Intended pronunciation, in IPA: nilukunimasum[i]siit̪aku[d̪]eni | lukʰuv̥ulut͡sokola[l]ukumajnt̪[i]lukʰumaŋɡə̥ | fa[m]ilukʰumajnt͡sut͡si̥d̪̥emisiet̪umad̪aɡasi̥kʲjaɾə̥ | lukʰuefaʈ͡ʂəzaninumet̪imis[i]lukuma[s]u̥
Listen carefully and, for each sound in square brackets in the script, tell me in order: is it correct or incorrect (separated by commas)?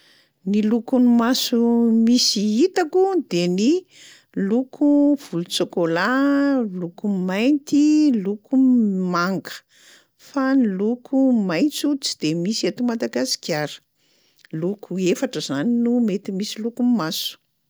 correct, correct, correct, correct, incorrect, correct, correct